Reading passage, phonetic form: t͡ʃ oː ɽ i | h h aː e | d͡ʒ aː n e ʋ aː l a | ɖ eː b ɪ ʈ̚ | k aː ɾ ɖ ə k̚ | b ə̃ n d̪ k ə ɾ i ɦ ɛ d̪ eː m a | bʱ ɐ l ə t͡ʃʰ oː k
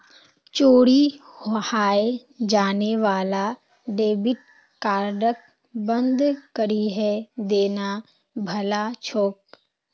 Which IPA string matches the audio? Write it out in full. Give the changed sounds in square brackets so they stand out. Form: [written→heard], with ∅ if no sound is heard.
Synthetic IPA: t͡ʃ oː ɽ i | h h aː e | d͡ʒ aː n e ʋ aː l a | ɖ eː b ɪ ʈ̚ | k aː ɾ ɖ ə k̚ | b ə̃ n d̪ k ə ɾ i ɦ ɛ d̪ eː [m→n] a | bʱ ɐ l [ə→a] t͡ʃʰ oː k